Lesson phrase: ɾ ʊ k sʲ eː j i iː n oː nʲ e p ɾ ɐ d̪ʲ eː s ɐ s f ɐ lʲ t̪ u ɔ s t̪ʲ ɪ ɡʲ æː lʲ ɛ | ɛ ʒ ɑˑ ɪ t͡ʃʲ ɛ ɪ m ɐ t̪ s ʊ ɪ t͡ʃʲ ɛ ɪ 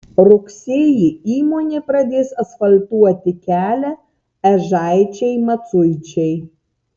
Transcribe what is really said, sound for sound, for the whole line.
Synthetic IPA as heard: ɾ ʊ k sʲ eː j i iː m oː nʲ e p ɾ ɐ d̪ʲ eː s ɐ s f ɐ lʲ t̪ u ɔ t̪ʲ ɪ kʲ æː lʲ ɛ | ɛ ʒ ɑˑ ɪ t͡ʃʲ ɛ ɪ m ɐ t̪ s ʊ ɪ t͡ʃʲ ɛ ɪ

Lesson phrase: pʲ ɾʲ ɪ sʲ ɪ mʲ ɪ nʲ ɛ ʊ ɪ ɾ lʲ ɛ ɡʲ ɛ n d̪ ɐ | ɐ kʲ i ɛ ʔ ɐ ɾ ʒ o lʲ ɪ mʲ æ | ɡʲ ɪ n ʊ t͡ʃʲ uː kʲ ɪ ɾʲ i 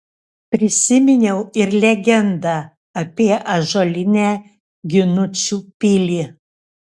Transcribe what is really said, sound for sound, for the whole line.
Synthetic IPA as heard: pʲ ɾʲ ɪ sʲ ɪ mʲ ɪ nʲ ɛ ʊ ɪ ɾ lʲ ɛ ɡʲ ɛ n d̪ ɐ | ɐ pʲ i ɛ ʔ ɐ ʒ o lʲ ɪ nʲ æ | ɡʲ ɪ n ʊ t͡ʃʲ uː pʲ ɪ lʲ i

